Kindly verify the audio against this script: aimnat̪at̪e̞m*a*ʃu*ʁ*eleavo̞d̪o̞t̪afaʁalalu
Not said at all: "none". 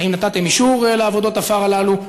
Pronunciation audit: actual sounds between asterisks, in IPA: i, ʁ

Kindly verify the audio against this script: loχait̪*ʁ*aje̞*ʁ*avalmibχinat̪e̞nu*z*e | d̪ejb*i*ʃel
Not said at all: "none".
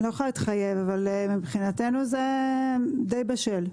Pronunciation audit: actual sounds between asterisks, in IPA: χ, v, z, a

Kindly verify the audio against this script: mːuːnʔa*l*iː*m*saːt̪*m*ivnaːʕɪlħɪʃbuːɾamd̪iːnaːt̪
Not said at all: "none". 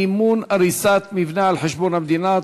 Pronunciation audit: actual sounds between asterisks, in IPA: ɾ, none, m

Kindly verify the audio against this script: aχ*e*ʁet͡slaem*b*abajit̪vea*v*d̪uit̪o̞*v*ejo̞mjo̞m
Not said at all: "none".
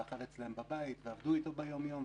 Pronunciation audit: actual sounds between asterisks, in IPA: a, b, v, b

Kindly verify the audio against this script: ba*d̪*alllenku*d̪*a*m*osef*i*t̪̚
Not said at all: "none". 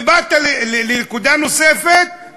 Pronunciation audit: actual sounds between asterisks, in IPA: t̪, d̪, n, e

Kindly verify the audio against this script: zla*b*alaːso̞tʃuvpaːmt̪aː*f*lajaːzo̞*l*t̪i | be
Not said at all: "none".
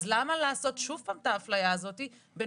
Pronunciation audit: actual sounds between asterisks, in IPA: m, f, none

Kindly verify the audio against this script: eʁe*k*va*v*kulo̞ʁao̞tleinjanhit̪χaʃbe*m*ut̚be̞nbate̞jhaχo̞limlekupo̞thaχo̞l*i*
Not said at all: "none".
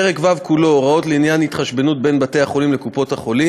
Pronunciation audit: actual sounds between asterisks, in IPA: k, v, n, i

